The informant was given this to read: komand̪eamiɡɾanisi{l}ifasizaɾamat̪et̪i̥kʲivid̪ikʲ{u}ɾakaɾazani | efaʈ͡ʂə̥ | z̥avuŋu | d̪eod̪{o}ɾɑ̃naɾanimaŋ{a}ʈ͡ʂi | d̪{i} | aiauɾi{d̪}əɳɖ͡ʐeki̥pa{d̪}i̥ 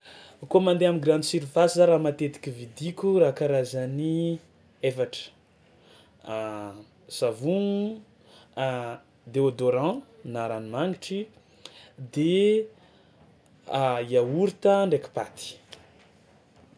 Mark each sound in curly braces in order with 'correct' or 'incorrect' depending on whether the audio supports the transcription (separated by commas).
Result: incorrect, correct, correct, incorrect, incorrect, incorrect, incorrect